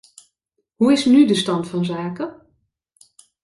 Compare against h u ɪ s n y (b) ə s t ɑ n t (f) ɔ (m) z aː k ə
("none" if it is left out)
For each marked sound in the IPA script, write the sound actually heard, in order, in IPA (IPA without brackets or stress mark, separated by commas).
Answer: d, f, n